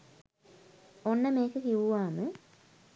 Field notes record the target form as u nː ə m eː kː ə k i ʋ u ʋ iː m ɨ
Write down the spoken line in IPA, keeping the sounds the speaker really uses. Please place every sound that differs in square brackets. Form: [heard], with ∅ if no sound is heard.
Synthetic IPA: [o] nː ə m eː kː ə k i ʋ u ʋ [aː] m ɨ